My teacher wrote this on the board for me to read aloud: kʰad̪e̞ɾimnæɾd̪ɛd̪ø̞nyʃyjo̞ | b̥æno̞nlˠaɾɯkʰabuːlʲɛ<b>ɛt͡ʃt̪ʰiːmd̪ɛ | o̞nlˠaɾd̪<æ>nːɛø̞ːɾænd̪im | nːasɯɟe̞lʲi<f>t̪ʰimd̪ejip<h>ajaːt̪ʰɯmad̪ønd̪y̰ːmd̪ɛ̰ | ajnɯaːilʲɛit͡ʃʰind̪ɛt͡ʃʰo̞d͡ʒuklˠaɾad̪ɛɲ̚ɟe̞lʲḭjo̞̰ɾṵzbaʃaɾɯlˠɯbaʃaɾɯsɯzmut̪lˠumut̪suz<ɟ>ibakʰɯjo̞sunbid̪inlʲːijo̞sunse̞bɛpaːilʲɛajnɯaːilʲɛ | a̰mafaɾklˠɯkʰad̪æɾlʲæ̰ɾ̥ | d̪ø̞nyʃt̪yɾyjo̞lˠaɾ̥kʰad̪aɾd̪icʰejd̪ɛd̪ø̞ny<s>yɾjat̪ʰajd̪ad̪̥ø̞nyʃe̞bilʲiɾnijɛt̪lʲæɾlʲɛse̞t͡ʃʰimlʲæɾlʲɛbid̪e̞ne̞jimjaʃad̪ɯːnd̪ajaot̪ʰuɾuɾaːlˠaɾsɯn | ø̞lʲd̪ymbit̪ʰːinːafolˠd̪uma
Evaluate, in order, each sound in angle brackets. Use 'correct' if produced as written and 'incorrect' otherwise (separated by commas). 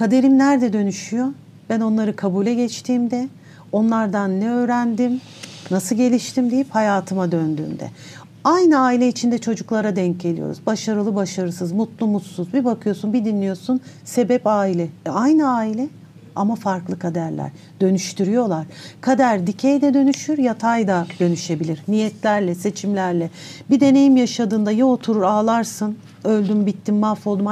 incorrect, incorrect, incorrect, correct, incorrect, incorrect